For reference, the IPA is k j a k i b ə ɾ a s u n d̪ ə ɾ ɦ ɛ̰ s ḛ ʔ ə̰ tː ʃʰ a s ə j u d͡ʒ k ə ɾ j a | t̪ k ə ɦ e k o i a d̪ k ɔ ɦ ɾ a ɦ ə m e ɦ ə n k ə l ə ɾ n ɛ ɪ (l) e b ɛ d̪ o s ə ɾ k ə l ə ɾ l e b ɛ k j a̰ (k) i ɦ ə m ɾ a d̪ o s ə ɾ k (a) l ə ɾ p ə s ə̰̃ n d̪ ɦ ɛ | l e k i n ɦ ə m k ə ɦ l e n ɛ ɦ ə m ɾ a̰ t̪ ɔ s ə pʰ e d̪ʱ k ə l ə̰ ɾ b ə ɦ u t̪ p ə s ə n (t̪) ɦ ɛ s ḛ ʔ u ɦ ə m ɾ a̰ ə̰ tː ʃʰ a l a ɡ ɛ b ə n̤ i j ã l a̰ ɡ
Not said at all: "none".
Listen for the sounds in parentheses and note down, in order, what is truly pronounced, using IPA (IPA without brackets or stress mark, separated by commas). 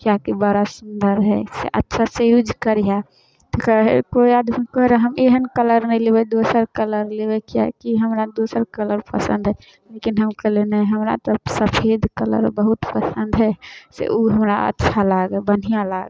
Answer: l, k, ə, d̪